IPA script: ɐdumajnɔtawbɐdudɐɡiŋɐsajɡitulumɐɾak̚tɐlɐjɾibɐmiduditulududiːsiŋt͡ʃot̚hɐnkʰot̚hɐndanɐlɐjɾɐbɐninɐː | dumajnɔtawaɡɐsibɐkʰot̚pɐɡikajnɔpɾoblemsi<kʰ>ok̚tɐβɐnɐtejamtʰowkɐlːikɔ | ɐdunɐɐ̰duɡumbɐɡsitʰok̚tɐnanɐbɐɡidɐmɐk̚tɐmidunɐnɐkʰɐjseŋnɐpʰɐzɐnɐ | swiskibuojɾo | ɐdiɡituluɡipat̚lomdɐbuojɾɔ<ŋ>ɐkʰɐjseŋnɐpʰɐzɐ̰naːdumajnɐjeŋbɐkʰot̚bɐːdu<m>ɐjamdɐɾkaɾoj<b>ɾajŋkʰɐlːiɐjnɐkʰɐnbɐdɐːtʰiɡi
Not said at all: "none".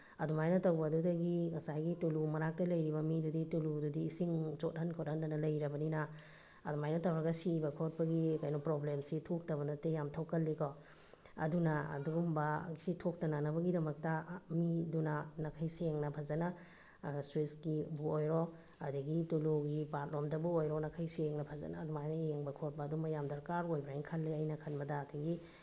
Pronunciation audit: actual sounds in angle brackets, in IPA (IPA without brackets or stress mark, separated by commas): tʰ, n, m, b